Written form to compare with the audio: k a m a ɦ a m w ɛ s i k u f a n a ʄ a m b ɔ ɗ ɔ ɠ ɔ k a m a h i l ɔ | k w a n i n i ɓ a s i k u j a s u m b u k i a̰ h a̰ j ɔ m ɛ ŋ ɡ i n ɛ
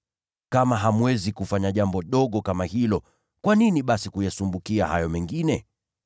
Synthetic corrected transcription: k a m a ɦ a m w ɛ z i k u f a ɲ a ʄ a m b ɔ ɗ ɔ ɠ ɔ k a m a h i l ɔ | k w a n i n i ɓ a s i k u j a s u m b u k i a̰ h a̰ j ɔ m ɛ ŋ ɡ i n ɛ